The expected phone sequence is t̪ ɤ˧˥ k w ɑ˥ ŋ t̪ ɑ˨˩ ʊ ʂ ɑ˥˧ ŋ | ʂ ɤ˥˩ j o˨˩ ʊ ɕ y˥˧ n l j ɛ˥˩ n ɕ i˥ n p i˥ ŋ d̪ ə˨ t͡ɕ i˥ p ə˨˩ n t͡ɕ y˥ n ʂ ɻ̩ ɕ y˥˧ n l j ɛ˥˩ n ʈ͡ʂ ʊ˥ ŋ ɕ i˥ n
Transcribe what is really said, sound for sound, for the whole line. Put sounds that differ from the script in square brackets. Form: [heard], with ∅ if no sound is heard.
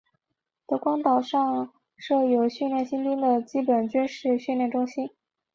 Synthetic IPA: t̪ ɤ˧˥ k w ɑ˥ ŋ t̪ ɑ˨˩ ʊ ʂ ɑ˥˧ ŋ | ʂ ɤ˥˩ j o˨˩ ʊ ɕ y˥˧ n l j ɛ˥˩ n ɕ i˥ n p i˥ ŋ d̪ ə˨ t͡ɕ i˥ p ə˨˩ n t͡ɕ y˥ n ʂ ɻ̩ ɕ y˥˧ n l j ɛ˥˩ n ʈ͡ʂ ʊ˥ ŋ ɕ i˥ n